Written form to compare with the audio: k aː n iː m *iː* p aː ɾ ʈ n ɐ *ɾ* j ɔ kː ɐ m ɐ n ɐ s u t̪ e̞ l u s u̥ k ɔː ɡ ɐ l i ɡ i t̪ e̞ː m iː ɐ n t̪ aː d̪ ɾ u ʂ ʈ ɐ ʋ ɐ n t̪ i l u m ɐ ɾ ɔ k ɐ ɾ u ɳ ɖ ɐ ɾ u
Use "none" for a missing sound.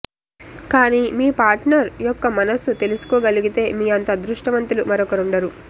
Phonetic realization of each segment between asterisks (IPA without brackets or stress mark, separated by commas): iː, ɾ